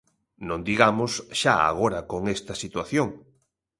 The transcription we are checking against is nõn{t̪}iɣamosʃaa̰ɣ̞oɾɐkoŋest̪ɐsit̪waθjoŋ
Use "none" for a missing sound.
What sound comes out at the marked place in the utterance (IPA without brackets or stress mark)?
d̪